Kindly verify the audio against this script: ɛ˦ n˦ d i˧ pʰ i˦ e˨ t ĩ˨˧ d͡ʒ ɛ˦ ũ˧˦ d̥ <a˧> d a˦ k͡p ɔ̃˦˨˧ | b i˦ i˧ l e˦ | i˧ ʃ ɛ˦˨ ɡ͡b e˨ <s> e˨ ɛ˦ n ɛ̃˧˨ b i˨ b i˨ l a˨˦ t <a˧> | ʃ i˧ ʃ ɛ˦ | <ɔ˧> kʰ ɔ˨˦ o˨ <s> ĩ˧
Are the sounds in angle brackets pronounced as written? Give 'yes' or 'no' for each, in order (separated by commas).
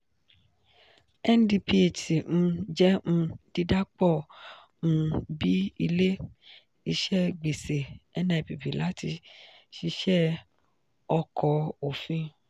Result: no, yes, no, yes, no